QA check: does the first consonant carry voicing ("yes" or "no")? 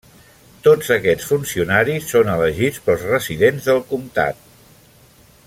no